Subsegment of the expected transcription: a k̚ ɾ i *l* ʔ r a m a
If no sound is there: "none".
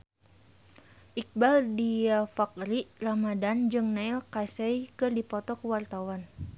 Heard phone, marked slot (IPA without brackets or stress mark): none